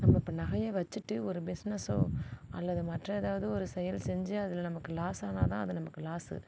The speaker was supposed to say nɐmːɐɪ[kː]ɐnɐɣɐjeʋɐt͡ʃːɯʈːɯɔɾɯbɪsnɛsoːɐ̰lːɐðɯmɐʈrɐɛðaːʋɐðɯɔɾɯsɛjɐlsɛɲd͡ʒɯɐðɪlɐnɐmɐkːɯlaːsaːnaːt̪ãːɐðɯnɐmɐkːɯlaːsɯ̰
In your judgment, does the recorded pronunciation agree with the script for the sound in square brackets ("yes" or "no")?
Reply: no